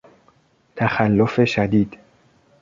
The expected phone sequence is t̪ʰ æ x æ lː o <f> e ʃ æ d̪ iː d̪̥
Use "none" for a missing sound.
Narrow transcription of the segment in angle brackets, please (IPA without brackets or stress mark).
f